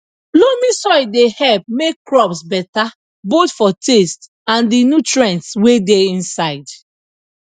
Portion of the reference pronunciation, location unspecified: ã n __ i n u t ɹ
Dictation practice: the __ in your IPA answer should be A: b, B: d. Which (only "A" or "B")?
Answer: B